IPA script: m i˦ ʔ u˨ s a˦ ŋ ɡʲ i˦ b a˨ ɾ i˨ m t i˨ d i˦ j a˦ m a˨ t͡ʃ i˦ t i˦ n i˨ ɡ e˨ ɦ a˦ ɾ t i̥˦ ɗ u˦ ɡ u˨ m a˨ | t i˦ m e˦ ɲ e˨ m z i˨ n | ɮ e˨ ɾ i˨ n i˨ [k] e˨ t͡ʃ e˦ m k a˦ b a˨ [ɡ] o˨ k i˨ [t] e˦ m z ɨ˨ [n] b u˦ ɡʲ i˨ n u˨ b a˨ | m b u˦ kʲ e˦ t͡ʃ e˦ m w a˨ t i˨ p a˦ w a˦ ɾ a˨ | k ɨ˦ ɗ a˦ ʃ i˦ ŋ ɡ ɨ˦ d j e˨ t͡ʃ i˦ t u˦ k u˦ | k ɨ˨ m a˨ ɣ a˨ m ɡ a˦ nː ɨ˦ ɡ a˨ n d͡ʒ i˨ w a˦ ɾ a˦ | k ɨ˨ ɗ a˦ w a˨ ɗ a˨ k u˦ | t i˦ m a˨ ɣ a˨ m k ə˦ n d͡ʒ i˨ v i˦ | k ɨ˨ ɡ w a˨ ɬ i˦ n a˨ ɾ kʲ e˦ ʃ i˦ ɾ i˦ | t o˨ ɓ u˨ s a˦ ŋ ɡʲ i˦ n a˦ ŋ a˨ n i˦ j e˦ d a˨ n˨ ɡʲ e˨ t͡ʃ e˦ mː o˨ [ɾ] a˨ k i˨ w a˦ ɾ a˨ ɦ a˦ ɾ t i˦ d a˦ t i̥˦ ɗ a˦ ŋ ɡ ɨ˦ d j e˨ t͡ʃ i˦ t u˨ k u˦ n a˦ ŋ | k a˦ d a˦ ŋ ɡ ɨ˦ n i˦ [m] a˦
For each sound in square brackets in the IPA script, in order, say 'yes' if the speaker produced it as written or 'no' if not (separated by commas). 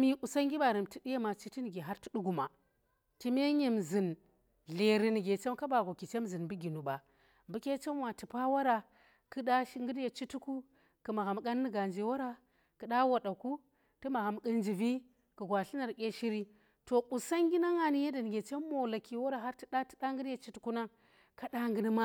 no, yes, no, yes, no, yes